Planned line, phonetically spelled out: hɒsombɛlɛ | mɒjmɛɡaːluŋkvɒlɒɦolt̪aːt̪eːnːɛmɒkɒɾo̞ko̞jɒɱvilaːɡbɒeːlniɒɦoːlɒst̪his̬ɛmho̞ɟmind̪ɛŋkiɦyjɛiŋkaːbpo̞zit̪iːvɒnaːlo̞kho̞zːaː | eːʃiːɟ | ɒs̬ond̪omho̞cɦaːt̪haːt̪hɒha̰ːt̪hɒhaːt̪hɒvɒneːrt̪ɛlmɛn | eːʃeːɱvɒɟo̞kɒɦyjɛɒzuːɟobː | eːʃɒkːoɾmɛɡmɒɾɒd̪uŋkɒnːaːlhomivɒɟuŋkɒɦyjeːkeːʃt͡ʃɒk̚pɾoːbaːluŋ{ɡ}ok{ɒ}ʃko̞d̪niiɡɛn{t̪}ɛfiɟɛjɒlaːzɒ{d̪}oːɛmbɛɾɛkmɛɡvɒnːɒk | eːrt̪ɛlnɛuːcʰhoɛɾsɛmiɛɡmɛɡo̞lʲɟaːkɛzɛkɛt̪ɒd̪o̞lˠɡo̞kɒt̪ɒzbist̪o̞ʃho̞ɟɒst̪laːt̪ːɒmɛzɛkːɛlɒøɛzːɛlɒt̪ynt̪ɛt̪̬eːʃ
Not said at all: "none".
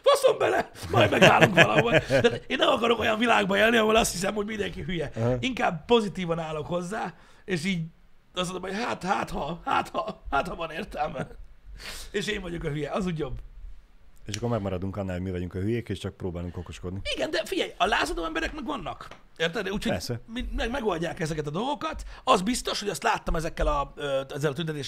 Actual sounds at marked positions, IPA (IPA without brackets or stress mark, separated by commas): k, o, d̪, d̪